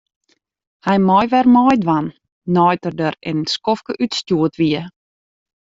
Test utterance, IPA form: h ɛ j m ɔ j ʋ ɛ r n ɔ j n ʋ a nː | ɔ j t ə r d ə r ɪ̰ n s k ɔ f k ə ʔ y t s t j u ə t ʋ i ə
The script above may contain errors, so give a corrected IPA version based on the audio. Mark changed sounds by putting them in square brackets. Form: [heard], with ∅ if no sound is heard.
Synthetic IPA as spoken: h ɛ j m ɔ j ʋ ɛ r [m] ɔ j [d] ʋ a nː | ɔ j t ə r d ə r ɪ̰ n s k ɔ f k ə ʔ y t s t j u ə t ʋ i ə